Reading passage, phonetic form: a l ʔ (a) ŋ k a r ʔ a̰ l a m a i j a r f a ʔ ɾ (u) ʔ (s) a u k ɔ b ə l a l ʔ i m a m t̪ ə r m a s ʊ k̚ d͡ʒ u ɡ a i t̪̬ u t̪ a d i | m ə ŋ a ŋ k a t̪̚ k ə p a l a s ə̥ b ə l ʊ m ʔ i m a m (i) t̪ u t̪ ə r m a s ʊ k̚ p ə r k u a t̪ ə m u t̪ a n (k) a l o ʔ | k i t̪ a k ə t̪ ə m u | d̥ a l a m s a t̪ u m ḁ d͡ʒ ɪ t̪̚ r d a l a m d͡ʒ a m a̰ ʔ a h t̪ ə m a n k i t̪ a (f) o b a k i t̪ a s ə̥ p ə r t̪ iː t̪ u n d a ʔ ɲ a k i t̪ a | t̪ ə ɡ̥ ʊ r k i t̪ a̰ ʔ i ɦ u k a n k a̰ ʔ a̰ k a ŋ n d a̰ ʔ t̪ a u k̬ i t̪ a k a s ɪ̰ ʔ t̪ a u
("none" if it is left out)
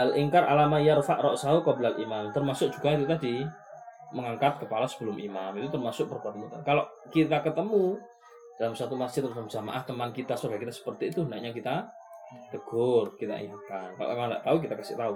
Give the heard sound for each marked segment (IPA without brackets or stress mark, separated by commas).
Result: i, ɔ, s, i, k, s